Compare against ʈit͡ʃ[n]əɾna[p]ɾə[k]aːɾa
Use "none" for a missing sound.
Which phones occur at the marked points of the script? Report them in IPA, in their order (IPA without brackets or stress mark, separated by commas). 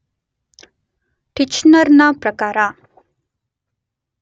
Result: n, p, k